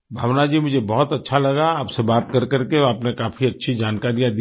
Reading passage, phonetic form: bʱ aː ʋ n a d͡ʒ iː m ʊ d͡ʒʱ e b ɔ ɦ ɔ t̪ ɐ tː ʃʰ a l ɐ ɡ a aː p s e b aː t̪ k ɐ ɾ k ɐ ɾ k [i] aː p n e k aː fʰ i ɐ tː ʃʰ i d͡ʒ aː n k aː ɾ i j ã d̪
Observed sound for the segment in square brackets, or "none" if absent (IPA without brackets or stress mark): e